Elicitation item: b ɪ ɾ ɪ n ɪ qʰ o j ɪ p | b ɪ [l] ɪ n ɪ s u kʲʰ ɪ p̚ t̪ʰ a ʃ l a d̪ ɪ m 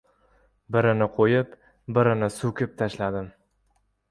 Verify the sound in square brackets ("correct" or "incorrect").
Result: incorrect